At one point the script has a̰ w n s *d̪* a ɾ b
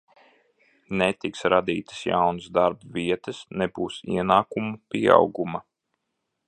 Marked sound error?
no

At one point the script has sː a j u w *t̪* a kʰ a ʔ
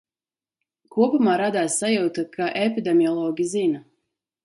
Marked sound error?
no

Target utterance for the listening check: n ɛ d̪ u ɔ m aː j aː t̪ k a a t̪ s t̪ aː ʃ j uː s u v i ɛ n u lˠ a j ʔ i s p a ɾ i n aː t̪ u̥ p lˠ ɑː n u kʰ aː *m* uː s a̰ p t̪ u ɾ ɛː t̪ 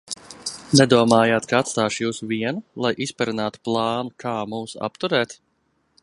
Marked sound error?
no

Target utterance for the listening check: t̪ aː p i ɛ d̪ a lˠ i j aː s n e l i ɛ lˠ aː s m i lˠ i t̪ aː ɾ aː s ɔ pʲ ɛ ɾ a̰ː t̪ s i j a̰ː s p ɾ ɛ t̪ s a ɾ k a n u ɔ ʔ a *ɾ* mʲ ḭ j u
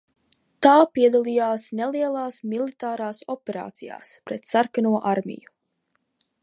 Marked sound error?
no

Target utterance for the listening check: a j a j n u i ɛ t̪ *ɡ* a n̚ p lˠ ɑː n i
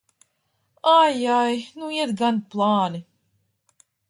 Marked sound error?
no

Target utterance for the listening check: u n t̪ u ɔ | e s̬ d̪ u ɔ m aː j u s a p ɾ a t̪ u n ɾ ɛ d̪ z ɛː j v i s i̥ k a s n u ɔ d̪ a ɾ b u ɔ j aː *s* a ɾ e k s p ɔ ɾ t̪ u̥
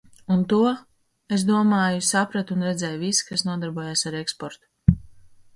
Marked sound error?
no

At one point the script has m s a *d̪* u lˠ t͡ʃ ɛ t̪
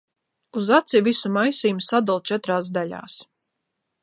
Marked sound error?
no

